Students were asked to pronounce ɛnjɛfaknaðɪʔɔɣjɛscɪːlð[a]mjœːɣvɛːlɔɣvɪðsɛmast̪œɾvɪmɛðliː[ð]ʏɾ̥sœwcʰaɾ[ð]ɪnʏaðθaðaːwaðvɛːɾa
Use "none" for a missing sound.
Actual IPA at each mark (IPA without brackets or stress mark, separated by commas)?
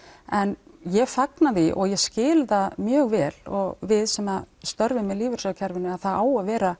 a, v, v